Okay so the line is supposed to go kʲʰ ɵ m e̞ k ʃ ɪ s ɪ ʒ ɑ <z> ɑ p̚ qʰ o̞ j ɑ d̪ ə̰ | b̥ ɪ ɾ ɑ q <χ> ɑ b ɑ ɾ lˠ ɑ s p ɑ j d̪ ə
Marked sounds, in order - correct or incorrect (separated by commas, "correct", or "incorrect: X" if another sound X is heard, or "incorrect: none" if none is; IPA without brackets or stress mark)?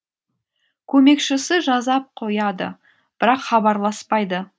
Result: correct, correct